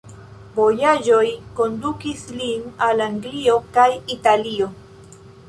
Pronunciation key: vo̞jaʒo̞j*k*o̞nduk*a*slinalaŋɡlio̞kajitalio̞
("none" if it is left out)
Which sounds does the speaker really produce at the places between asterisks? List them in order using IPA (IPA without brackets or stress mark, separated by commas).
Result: k, i